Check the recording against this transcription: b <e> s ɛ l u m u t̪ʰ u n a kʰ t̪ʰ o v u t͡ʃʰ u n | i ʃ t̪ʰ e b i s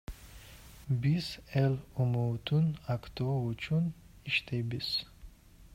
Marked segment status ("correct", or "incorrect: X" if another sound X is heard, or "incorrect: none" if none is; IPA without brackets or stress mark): incorrect: i